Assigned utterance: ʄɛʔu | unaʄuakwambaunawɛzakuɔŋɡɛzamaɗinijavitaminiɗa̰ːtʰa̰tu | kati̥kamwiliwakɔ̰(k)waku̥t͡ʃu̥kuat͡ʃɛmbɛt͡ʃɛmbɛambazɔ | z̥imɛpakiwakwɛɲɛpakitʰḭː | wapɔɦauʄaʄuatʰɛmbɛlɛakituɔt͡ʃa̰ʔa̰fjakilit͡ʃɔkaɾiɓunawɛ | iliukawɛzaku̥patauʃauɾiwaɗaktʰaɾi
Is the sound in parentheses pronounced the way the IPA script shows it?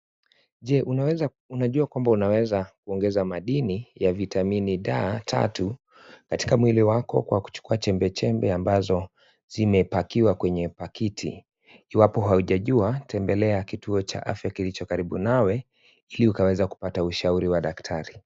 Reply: yes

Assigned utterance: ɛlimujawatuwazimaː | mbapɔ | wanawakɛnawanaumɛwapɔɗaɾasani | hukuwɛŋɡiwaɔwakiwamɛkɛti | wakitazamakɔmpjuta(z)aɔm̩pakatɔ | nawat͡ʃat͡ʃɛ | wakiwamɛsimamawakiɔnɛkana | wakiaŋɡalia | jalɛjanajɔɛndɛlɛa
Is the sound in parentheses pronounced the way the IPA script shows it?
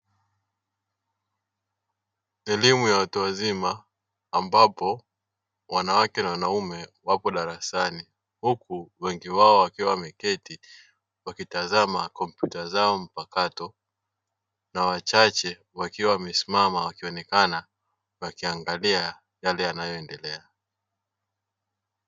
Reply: yes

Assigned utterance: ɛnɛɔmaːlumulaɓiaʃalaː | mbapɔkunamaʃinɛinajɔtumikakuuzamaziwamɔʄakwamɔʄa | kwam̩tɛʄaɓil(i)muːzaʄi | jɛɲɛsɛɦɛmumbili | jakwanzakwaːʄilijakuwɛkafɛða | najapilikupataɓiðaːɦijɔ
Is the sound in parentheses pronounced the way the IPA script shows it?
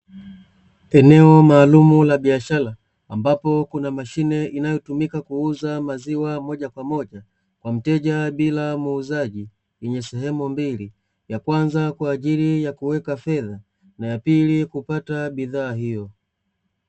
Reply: no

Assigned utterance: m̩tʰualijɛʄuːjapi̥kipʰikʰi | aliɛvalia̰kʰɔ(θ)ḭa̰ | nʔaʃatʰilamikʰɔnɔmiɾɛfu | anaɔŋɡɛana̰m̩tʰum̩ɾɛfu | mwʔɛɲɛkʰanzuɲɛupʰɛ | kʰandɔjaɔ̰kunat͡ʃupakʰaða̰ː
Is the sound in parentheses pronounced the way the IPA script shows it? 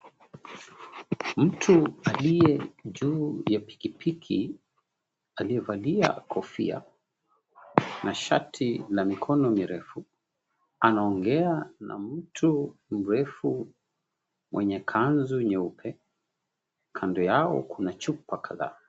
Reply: no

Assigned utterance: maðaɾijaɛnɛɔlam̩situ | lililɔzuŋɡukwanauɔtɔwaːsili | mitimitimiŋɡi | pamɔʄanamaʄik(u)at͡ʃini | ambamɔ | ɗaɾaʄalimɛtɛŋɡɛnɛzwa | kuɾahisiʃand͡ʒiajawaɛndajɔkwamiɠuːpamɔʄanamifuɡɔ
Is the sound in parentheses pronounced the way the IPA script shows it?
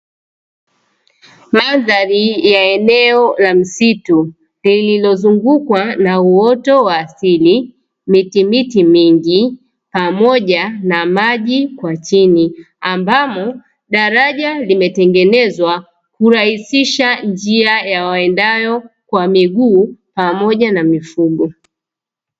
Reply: no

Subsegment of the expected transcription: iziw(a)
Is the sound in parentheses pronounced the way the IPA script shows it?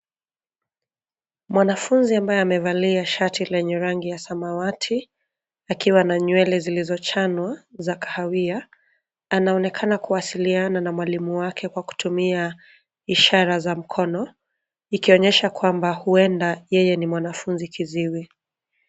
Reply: no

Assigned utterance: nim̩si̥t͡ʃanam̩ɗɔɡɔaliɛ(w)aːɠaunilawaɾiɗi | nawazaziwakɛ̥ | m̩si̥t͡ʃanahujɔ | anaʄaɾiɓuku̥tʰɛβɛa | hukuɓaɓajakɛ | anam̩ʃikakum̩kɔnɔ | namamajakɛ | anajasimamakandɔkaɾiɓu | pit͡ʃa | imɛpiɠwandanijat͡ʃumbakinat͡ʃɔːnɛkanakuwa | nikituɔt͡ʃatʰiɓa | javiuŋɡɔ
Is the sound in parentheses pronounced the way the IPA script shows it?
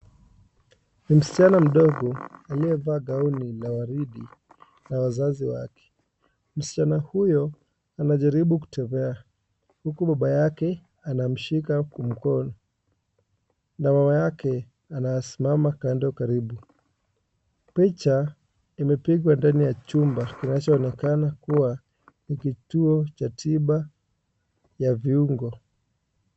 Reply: no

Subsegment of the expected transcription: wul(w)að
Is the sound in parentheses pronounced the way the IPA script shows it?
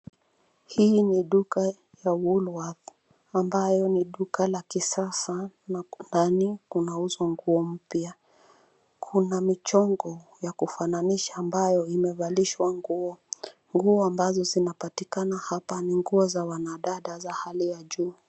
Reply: yes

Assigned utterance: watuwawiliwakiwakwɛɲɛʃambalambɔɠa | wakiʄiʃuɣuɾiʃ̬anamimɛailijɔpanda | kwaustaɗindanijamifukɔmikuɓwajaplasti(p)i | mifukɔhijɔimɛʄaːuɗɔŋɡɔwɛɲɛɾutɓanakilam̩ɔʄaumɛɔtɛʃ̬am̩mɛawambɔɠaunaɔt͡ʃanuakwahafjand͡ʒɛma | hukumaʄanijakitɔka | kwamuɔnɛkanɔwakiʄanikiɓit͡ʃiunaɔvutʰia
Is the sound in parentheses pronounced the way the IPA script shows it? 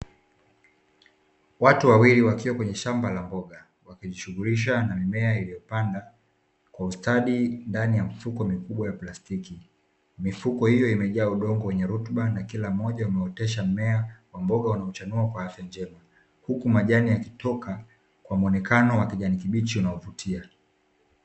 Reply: no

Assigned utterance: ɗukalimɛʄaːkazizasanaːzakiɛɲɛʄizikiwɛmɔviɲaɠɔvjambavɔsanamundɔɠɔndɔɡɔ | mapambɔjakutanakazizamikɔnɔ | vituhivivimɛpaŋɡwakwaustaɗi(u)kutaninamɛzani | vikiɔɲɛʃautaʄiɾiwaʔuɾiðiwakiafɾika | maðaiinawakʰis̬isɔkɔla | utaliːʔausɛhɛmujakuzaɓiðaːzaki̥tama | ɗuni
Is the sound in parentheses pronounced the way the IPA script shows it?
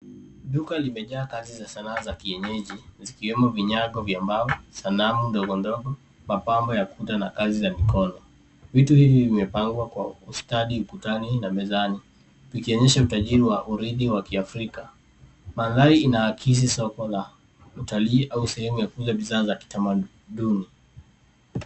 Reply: yes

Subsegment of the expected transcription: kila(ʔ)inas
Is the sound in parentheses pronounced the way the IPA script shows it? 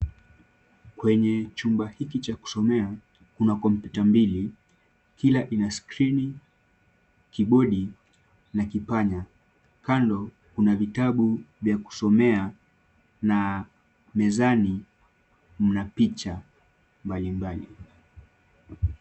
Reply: yes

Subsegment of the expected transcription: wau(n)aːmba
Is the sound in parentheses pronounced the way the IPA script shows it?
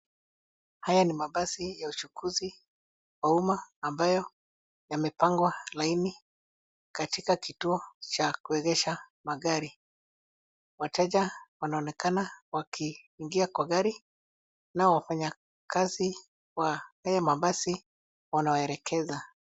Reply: no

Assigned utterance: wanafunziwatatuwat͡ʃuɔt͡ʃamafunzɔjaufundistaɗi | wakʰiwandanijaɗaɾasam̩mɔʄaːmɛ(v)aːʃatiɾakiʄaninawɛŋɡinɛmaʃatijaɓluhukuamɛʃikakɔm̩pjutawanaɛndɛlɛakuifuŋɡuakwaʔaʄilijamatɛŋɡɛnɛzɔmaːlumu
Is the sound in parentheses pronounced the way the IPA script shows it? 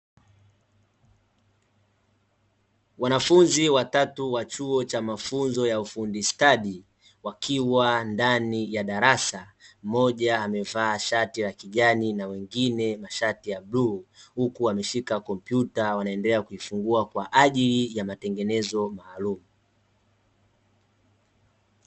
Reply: yes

